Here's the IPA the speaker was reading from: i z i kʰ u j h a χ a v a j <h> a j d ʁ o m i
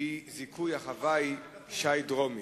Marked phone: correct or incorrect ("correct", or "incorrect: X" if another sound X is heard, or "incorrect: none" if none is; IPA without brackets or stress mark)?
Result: incorrect: ʃ